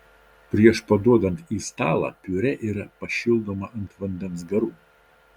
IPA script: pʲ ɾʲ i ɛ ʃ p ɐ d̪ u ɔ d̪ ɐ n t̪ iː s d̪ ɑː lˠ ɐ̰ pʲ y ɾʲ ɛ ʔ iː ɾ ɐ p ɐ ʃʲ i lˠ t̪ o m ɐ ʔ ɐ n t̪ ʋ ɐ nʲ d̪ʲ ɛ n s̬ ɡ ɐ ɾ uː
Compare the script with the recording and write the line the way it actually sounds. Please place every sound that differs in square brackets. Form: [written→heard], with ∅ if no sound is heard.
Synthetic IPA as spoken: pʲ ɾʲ i ɛ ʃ p ɐ d̪ u ɔ d̪ ɐ n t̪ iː s [d̪→t̪] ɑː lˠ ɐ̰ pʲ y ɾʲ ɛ ʔ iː ɾ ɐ p ɐ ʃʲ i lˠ [t̪→d̪] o m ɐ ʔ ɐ n t̪ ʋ ɐ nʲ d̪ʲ ɛ n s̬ ɡ ɐ ɾ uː